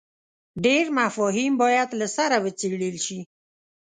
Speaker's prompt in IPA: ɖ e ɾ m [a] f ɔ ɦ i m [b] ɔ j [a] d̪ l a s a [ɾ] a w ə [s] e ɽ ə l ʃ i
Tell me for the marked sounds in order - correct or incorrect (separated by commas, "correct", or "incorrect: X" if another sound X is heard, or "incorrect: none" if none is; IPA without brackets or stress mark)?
correct, correct, correct, correct, incorrect: t͡s